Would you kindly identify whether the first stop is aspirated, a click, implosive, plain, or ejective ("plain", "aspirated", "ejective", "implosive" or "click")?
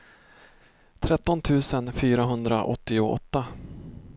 aspirated